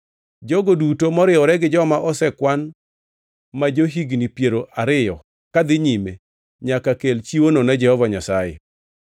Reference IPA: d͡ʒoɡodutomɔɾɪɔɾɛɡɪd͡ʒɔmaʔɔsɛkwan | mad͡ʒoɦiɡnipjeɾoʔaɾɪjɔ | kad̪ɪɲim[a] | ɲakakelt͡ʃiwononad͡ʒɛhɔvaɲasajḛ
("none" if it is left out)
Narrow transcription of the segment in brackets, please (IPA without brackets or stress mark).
e